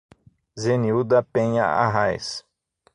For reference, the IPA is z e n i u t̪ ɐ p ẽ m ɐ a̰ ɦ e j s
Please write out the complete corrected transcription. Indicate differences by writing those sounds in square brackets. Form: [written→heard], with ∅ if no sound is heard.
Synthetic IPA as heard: z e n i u [t̪→d̪] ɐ p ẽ [m→ɲ] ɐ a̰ ɦ [e→a] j s